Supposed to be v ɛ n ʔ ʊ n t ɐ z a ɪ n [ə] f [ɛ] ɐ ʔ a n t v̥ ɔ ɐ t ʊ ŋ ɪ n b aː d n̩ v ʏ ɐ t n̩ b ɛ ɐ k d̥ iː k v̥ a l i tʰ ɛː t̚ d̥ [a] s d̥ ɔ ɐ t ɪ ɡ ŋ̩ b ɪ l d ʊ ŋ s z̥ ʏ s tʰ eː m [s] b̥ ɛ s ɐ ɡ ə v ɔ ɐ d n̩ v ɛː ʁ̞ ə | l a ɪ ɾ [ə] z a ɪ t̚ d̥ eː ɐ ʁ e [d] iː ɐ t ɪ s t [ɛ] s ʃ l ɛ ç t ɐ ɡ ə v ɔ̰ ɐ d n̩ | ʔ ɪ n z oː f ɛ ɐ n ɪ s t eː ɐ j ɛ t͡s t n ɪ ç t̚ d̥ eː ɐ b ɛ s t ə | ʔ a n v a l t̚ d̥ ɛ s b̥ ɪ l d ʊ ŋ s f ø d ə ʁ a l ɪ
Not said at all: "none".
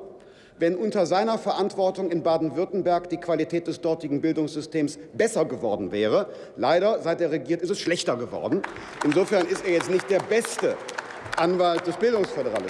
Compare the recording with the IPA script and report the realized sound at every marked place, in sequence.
ɐ, ɛ, ɛ, s, ɐ, ɡ, ɛ

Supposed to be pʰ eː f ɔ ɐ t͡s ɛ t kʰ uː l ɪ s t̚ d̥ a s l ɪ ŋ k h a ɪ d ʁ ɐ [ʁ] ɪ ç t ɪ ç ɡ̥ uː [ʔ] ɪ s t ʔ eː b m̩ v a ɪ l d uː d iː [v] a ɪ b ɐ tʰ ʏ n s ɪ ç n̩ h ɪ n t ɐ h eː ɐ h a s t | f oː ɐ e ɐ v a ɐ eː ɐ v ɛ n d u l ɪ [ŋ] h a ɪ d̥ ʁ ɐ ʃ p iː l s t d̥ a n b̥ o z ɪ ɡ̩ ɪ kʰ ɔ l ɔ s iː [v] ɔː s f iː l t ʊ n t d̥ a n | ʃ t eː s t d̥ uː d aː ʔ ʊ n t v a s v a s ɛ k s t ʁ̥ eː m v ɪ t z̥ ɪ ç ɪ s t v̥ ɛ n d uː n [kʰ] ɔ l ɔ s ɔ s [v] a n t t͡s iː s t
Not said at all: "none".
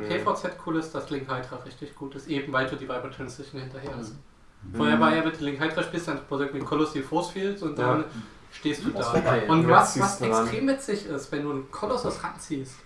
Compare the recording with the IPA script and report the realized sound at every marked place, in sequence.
ʁ, t, v, ŋ, f, kʰ, ʁ

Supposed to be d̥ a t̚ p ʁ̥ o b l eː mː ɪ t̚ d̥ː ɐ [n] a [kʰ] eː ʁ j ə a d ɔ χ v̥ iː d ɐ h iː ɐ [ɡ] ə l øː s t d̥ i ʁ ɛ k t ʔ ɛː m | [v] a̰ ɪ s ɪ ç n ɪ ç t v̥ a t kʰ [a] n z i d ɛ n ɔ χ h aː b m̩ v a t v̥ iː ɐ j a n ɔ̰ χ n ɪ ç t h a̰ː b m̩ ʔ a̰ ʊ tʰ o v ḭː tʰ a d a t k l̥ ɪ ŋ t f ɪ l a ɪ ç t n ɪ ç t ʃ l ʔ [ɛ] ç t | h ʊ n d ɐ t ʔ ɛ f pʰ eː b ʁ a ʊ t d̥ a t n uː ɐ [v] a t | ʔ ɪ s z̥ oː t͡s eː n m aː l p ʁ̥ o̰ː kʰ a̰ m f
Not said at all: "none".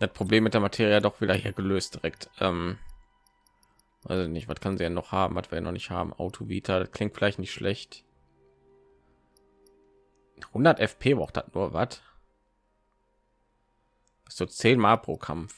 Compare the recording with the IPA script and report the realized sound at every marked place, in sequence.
m, tʰ, ɡ, v, a, ɛ, v

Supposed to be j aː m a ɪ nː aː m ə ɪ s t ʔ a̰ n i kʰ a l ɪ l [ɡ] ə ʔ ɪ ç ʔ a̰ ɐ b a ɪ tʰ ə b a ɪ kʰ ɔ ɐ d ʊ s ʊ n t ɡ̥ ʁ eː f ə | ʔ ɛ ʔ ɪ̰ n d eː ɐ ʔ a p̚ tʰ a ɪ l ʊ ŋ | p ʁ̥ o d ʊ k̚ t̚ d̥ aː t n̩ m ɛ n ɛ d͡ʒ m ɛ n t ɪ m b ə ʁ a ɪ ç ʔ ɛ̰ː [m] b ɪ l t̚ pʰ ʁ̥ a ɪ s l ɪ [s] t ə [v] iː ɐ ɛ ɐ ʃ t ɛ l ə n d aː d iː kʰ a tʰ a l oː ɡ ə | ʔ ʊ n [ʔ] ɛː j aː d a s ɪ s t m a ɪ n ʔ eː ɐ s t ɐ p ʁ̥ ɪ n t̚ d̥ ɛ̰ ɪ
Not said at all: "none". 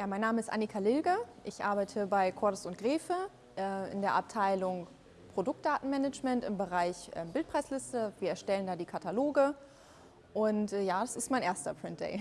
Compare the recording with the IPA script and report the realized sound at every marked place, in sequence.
ɡ, m, s, v, t

